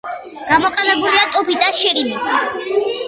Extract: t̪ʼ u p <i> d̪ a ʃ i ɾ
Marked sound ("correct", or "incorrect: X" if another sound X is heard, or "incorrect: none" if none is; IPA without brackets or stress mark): correct